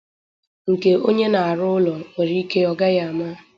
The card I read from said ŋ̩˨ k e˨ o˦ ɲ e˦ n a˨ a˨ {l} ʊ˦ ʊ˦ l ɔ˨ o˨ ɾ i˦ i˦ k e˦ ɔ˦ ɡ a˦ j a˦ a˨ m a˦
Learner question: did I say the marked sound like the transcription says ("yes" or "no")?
no